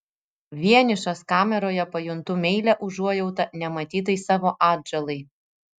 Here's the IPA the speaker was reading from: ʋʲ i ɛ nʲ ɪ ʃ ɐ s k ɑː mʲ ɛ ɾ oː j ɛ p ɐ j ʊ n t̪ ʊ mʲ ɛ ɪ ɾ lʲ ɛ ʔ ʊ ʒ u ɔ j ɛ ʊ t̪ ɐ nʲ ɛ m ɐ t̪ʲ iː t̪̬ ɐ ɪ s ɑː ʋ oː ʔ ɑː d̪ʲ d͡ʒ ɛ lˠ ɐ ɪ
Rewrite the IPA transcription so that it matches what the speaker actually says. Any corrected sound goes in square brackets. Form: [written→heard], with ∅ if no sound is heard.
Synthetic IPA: ʋʲ i ɛ nʲ ɪ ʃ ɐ s k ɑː mʲ ɛ ɾ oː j ɛ p ɐ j ʊ n t̪ ʊ mʲ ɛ ɪ [ɾ→∅] lʲ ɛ ʔ ʊ ʒ u ɔ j ɛ ʊ t̪ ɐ nʲ ɛ m ɐ t̪ʲ iː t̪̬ ɐ ɪ s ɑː ʋ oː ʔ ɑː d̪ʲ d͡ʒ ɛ lˠ ɐ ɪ